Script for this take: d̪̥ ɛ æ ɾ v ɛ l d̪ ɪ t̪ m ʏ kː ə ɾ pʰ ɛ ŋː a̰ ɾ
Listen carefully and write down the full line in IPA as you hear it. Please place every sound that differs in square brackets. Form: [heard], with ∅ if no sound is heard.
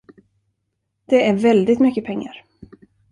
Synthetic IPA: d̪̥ ɛ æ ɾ v ɛ l d̪ ɪ t̪ m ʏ kː ə [∅] pʰ ɛ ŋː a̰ ɾ